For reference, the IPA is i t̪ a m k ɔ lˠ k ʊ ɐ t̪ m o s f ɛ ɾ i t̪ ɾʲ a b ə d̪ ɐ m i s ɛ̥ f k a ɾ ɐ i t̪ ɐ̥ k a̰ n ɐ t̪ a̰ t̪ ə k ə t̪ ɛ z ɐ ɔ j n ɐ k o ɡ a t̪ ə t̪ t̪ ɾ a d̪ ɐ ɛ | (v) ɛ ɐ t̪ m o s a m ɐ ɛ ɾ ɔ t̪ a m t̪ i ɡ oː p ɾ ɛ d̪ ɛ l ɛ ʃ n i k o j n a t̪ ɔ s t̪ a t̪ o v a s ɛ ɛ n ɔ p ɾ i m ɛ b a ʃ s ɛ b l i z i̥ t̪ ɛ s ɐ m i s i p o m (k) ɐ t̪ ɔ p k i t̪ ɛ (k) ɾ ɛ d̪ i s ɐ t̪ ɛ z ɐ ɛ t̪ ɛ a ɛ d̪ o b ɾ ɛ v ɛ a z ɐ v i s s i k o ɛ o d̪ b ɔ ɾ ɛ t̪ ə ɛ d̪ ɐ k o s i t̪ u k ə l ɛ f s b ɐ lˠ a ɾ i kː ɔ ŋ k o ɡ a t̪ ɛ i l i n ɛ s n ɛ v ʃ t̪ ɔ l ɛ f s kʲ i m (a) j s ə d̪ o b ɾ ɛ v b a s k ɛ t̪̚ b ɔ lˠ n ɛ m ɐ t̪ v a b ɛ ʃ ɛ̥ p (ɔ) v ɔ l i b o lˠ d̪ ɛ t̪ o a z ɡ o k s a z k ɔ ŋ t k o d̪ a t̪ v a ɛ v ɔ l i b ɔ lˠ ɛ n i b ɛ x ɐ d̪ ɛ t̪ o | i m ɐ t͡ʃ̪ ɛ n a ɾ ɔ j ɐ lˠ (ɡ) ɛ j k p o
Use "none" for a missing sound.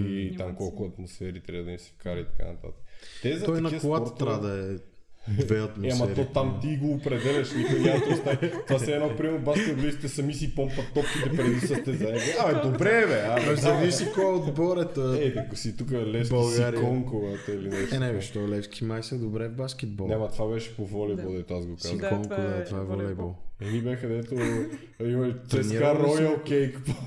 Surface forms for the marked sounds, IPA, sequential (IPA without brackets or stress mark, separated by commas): v, p, p, a, o, k